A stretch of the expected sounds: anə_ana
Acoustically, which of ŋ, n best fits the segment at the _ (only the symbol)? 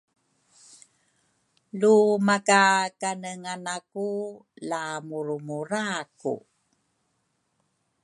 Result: ŋ